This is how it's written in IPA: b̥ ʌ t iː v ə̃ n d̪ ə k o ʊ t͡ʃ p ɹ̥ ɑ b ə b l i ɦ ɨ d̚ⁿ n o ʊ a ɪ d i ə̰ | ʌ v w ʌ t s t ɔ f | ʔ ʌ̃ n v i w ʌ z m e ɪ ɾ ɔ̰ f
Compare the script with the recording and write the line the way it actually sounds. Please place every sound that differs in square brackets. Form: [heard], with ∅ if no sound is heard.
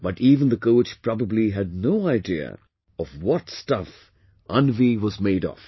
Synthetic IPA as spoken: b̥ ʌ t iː v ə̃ n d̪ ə k o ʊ t͡ʃ p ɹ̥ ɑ b ə b l i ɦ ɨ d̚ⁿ n o ʊ a ɪ d i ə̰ | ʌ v w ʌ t s t [ʌ] f | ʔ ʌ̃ n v i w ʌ z m e ɪ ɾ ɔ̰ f